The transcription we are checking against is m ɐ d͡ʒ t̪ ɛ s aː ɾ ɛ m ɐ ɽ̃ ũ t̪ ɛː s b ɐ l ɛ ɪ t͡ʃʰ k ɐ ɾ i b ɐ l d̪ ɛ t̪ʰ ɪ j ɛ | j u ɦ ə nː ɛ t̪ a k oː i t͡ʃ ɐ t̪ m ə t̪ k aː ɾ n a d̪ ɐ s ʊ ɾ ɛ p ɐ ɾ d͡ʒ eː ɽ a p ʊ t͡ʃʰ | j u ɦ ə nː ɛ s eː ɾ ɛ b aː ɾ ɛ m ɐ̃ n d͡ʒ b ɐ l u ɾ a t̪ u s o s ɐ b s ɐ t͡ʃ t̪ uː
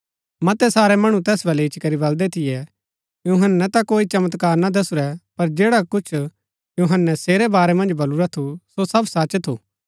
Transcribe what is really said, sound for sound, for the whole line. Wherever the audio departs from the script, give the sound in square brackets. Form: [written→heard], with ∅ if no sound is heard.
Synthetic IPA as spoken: m ɐ [d͡ʒ→∅] t̪ ɛ s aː ɾ ɛ m ɐ ɽ̃ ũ t̪ ɛː s b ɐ l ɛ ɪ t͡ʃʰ k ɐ ɾ i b ɐ l d̪ ɛ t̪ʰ ɪ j ɛ | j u ɦ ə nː ɛ t̪ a k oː i t͡ʃ ɐ [t̪→∅] m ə t̪ k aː ɾ n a d̪ ɐ s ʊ ɾ ɛ p ɐ ɾ d͡ʒ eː ɽ a [p→k] ʊ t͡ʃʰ | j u ɦ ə nː ɛ s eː ɾ ɛ b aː ɾ ɛ m ɐ̃ n d͡ʒ b ɐ l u ɾ a [t̪→t̪ʰ] u s o s ɐ b s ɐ t͡ʃ [t̪→t̪ʰ] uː